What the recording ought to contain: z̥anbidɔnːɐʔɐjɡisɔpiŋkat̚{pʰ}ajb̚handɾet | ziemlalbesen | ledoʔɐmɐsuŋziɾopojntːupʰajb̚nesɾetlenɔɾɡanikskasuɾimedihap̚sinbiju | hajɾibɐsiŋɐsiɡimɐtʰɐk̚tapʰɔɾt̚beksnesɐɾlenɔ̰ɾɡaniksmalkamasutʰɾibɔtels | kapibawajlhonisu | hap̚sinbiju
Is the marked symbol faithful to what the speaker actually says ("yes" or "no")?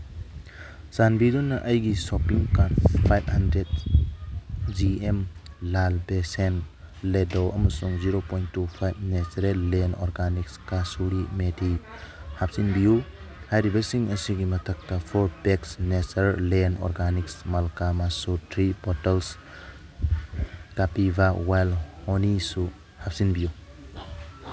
yes